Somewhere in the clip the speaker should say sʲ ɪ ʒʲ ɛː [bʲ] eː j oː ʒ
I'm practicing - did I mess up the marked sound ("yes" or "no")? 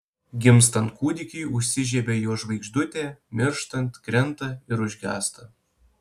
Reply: no